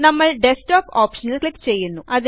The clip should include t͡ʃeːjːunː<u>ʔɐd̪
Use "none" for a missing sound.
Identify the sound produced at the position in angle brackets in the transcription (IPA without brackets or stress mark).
u